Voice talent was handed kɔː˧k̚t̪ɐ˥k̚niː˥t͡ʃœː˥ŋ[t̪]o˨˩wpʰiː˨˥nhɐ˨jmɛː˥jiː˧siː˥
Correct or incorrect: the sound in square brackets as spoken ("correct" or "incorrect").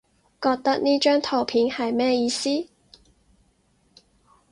incorrect